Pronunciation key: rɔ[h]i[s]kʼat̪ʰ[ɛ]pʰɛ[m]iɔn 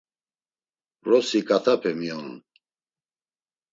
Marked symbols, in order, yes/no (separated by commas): no, no, no, yes